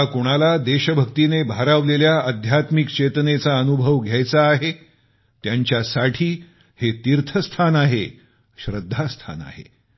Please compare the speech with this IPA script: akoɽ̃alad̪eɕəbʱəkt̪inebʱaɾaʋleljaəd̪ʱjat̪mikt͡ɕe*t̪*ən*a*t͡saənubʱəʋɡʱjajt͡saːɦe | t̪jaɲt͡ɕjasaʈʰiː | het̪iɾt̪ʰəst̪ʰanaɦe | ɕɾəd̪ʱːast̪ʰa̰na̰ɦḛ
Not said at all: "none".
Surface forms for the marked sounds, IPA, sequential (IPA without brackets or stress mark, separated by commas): t̪, e